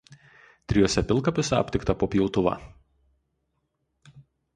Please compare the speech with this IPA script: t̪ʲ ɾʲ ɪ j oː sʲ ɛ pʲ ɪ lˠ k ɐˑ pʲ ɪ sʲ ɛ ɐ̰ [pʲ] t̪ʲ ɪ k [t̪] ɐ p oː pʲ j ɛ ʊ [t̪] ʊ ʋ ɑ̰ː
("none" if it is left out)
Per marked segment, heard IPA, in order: pʲ, t̪, t̪

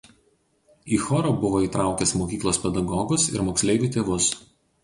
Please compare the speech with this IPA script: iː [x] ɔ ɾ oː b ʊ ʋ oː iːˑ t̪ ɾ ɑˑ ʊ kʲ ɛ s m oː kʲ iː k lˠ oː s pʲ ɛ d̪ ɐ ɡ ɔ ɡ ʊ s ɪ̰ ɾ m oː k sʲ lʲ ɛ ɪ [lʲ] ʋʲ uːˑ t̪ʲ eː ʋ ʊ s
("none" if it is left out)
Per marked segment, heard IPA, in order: x, none

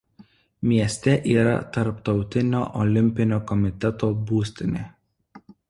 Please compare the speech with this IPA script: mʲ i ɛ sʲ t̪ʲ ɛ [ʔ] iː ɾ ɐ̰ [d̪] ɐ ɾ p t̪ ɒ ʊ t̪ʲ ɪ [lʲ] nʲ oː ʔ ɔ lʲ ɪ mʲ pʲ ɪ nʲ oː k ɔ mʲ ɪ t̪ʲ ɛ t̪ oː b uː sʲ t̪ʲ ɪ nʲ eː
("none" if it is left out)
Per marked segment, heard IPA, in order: ʔ, t̪, none

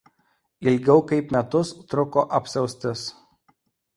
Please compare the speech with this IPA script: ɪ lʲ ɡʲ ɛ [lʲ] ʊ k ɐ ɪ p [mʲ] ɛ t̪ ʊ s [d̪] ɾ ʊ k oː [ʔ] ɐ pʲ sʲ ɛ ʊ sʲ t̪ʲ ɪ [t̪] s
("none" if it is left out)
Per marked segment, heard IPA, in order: none, mʲ, t̪, ʔ, none

